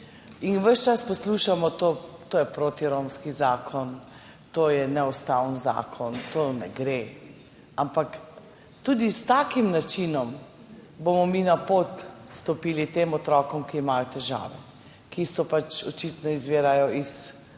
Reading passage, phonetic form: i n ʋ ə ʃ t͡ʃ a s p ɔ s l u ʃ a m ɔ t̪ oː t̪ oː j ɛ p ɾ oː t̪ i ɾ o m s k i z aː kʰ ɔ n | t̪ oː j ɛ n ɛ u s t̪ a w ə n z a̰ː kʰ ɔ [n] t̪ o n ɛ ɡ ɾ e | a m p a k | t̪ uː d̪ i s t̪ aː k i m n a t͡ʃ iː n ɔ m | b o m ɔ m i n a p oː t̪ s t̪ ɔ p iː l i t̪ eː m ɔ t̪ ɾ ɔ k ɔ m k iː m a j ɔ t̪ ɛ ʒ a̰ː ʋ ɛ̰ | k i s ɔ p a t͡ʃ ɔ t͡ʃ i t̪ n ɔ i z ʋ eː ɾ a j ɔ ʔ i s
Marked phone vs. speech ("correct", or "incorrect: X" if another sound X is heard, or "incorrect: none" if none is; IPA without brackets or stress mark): correct